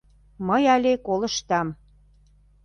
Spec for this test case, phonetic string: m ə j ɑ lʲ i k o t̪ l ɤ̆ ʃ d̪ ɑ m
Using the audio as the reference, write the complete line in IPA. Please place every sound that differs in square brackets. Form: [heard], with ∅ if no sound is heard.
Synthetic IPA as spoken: m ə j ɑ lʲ [e] k o [∅] l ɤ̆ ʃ [t̪] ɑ m